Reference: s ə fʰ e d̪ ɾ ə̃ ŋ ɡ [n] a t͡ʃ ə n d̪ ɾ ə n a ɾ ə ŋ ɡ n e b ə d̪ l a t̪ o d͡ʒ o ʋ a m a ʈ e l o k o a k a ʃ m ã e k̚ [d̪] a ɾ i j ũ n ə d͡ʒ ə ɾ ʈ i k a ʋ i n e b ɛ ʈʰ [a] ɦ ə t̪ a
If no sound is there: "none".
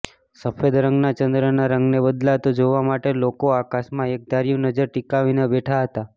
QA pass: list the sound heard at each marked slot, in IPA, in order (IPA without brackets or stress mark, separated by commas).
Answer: n, d̪, a